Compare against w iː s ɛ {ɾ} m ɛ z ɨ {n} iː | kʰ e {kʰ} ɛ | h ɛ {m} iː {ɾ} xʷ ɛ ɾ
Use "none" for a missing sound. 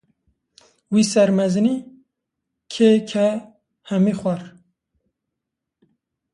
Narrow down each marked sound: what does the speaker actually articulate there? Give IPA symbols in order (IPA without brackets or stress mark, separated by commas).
ɾ, n, kʰ, m, none